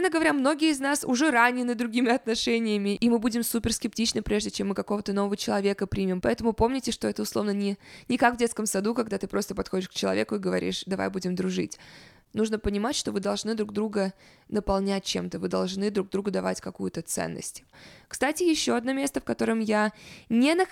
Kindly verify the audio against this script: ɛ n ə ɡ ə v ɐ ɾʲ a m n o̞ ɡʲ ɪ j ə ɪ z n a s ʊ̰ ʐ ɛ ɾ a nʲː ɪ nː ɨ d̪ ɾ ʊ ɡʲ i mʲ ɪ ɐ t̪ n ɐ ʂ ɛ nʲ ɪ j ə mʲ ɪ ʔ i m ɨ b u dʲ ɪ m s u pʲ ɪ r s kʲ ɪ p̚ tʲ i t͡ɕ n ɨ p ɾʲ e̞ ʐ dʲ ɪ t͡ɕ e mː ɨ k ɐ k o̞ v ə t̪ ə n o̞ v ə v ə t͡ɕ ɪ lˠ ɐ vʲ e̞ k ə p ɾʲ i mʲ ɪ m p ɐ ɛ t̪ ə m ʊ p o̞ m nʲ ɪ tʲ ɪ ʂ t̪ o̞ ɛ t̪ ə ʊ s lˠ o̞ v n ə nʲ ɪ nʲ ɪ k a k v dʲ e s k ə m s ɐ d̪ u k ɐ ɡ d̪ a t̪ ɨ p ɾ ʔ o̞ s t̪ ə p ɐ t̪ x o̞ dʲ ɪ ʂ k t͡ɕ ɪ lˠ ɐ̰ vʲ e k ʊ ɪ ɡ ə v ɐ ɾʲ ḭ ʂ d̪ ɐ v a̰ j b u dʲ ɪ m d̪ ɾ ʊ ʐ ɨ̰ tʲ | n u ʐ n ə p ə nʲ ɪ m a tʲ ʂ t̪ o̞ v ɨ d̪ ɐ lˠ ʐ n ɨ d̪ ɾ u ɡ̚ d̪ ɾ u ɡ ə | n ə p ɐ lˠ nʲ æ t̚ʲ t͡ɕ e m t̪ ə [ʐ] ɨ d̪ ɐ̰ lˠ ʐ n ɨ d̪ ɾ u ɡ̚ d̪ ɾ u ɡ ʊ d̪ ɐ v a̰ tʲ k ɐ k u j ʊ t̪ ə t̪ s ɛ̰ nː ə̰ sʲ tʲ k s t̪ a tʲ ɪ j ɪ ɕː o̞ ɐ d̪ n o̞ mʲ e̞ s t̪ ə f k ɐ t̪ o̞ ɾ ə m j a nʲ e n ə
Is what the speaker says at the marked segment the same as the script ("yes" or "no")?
no